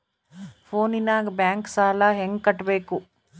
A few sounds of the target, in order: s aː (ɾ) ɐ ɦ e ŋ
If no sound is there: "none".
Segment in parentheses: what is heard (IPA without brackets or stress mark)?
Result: l